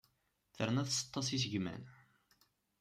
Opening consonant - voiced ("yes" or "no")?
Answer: no